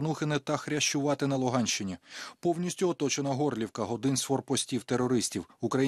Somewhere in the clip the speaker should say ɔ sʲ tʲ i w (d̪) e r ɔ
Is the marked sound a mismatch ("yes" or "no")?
yes